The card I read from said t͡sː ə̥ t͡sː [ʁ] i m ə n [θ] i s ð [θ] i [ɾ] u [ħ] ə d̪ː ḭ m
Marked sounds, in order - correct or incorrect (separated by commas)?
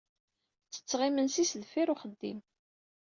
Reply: correct, incorrect, incorrect, correct, incorrect